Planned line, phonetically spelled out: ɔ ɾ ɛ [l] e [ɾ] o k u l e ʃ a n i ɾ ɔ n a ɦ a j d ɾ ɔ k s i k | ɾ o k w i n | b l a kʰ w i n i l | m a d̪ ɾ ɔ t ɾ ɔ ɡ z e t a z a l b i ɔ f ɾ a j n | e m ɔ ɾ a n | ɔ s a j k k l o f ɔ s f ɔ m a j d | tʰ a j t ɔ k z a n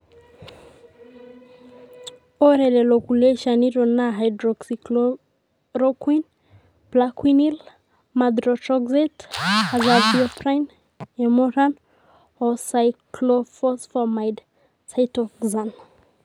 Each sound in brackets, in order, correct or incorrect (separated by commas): correct, incorrect